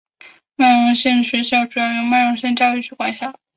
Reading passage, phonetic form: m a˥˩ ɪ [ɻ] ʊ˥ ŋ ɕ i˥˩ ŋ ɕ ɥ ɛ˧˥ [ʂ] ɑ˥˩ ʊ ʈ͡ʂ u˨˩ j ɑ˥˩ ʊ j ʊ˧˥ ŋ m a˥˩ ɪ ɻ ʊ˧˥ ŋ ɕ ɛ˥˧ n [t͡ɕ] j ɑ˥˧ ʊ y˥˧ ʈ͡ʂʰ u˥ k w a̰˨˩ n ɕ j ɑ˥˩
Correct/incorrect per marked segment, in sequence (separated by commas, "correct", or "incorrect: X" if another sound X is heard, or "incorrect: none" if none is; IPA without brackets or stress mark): correct, incorrect: ɕ, correct